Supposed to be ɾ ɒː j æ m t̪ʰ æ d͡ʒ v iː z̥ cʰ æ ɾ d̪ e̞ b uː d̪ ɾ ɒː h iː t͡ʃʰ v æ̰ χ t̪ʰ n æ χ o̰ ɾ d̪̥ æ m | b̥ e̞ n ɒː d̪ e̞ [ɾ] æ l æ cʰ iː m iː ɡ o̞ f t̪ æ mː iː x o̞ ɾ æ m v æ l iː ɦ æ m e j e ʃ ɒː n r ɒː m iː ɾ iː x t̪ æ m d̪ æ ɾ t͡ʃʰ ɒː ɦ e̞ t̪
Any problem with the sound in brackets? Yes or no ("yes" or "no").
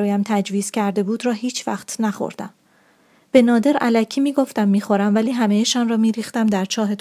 no